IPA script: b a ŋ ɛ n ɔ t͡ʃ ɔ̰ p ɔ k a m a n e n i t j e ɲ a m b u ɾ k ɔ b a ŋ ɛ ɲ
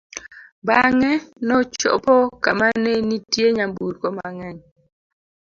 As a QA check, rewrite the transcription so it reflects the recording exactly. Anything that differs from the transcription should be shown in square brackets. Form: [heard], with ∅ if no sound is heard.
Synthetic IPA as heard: b a ŋ ɛ n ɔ t͡ʃ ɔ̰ p ɔ k a m a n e n i t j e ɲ a m b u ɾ k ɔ [m] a ŋ ɛ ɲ

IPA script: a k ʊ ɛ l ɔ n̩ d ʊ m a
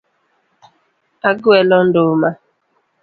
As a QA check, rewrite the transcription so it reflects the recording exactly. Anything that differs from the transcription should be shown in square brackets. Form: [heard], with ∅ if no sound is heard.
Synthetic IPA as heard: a [ɡ] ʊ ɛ l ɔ n̩ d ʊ m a

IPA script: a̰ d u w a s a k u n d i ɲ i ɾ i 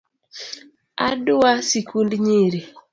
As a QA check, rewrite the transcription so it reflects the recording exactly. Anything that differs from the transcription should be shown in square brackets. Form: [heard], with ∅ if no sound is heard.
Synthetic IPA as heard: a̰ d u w a s [i] k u n d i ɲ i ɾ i

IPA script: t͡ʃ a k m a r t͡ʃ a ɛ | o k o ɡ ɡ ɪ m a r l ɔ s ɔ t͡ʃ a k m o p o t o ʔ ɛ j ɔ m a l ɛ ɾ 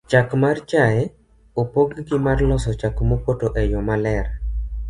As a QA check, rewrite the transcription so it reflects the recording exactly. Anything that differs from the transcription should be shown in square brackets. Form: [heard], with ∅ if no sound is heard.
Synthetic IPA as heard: t͡ʃ a k m a r t͡ʃ a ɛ | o [p] o ɡ ɡ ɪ m a r l ɔ s ɔ t͡ʃ a k m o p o t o ʔ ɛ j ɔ m a l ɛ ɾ

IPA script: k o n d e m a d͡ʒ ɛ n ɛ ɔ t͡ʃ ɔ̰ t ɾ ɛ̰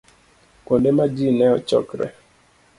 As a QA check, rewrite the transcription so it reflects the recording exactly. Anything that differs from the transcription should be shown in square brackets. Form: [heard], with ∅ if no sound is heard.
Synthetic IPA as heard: k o n d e m a d͡ʒ [i] n ɛ ɔ t͡ʃ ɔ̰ [k] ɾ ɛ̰

